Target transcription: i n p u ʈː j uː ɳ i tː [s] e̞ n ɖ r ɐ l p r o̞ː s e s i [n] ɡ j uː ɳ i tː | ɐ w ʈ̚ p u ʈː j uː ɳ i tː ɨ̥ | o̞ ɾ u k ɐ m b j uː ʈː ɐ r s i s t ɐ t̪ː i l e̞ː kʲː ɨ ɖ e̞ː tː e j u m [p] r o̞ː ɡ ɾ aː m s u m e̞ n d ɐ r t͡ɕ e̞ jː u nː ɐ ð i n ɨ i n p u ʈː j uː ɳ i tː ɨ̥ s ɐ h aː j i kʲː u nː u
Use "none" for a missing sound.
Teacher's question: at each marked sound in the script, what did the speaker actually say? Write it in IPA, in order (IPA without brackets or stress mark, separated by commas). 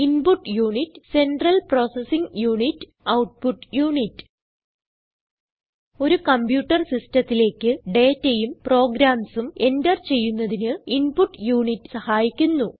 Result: s, ŋ, p